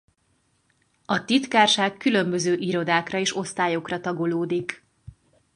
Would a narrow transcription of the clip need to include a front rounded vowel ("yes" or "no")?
yes